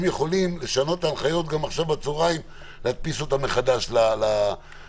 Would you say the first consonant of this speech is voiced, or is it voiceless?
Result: voiced